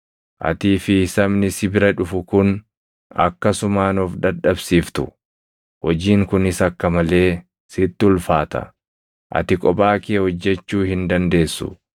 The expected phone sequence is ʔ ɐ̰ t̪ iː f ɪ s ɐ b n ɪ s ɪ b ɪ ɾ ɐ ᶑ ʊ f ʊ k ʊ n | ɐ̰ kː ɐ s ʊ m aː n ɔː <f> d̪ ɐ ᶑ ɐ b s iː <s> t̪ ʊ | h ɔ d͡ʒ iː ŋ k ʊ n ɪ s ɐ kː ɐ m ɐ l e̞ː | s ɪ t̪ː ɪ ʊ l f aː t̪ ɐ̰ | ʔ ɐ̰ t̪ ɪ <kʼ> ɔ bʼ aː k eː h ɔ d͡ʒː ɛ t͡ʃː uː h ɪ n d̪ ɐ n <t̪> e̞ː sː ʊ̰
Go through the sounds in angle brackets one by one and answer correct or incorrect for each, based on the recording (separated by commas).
correct, incorrect, correct, incorrect